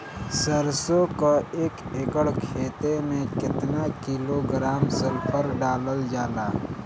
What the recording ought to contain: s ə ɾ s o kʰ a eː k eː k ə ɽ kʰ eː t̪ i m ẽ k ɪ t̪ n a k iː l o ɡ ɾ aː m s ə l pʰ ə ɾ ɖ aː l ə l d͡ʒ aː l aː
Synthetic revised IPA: s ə ɾ s o k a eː k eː k ə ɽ kʰ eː t̪ e m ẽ k ɪ t̪ n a k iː l o ɡ ɾ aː m s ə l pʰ ə ɾ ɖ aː l ə l d͡ʒ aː l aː